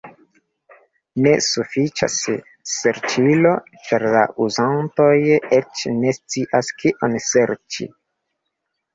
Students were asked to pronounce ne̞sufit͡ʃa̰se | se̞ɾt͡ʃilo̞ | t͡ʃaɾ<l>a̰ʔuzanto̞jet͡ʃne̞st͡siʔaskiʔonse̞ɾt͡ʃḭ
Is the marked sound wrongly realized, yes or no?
no